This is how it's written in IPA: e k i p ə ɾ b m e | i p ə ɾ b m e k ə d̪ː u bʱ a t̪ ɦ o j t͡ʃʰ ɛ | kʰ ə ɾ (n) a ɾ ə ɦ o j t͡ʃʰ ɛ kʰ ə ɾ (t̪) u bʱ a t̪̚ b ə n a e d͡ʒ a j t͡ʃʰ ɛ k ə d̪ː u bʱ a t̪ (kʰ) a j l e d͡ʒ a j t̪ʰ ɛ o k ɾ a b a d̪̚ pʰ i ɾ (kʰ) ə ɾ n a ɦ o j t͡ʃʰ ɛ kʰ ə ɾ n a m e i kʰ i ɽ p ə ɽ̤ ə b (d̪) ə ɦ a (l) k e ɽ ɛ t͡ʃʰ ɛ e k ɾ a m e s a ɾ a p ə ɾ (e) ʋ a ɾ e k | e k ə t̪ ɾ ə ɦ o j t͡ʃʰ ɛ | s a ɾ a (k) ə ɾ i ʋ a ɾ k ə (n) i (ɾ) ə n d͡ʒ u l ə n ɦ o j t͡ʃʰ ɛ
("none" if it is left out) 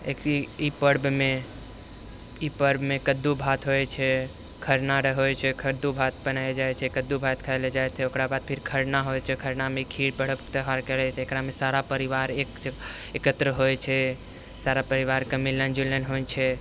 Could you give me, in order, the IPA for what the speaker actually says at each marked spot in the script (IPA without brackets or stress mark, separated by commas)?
n, d̪, kʰ, kʰ, t̪, ɾ, i, p, m, l